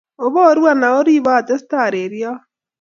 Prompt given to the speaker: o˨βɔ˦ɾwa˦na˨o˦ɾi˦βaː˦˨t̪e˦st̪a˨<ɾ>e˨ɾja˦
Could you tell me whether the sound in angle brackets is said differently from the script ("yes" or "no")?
no